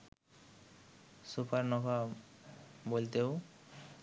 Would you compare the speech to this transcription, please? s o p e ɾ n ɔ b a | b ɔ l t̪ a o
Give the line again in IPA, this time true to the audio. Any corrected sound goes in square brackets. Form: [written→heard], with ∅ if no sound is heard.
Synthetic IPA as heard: s [o→u] p [e→a] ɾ n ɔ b a | b [ɔ→o] l t̪ [a→e] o